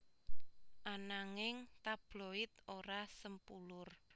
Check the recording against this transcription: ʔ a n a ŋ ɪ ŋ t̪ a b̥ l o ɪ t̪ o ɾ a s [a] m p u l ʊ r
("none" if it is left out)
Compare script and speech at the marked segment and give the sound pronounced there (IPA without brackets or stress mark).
ə